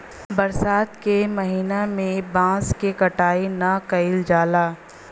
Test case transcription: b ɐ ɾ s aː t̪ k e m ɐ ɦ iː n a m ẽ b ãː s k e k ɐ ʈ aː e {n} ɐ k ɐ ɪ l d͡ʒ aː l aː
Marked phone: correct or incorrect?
correct